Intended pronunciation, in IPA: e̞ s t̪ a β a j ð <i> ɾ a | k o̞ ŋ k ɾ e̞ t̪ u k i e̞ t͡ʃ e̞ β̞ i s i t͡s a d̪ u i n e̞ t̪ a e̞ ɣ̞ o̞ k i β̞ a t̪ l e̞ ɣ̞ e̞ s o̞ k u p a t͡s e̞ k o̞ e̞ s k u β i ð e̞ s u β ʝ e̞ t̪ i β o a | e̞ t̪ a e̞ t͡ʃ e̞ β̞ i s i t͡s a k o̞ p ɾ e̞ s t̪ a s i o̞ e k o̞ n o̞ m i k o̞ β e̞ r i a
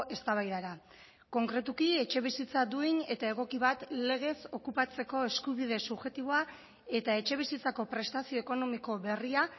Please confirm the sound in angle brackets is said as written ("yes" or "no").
no